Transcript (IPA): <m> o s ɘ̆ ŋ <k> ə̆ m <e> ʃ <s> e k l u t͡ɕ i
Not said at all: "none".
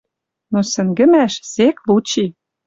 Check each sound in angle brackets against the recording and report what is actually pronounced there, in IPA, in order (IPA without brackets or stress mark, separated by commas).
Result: n, ɡ, æ, s